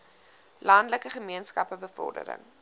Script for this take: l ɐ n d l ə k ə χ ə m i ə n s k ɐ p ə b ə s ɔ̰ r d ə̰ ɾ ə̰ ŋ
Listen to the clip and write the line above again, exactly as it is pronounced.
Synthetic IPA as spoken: l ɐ n d l ə k ə χ ə m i ə n s k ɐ p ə b ə f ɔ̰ r d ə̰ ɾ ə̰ ŋ